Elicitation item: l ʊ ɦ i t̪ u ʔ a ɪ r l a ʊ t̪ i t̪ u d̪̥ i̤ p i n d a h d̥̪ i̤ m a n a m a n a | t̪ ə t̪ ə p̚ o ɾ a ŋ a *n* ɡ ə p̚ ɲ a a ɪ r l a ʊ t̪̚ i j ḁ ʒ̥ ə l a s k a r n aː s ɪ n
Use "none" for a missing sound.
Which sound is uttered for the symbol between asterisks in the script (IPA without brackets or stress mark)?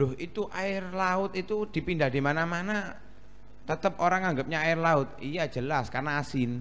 ŋ